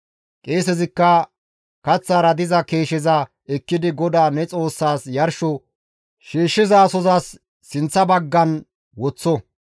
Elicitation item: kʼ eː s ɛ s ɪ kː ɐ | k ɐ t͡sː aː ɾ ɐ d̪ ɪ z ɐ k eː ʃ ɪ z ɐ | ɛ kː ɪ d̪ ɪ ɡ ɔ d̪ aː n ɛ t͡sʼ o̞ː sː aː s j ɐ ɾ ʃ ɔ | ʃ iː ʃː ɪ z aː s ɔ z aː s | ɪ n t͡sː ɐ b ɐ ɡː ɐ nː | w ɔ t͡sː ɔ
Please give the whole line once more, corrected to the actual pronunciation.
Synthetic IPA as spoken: kʼ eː s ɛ z ɪ kː ɐ | k ɐ t͡sː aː ɾ ɐ d̪ ɪ z ɐ k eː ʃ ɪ z ɐ | ɛ kː ɪ d̪ ɪ ɡ ɔ d̪ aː n ɛ t͡sʼ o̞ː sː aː s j ɐ ɾ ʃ ɔ | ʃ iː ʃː ɪ z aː s ɔ z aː sː | ɪ n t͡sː ɐ b ɐ ɡː ɐ n | w ɔ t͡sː ɔ